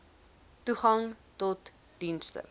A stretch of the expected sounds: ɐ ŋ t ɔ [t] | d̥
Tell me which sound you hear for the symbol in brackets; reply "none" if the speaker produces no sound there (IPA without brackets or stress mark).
t